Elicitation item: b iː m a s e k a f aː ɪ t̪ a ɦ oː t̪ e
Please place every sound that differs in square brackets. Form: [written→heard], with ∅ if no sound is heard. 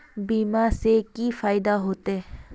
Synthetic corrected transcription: b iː m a s e k [a→i] f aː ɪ [t̪→d̪] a ɦ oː t̪ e